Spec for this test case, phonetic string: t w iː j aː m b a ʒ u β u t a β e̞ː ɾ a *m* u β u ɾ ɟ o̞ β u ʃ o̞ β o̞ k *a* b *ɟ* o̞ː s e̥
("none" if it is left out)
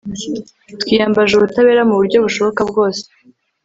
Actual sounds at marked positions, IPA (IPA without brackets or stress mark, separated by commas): m, a, ɡ